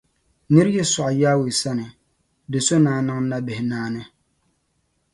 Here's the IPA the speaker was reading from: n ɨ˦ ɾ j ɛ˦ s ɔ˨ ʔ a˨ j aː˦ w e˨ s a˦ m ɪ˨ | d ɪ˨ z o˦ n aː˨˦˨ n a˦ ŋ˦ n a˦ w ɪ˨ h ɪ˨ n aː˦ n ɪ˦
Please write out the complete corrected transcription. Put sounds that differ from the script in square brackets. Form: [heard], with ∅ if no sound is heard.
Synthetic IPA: n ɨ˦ ɾ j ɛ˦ s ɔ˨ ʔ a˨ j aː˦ w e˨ s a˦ [n] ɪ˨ | d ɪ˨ [s] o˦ n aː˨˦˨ n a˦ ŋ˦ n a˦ [b] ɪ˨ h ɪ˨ n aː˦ n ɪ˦